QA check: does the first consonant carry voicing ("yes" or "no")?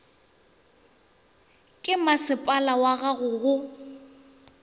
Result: no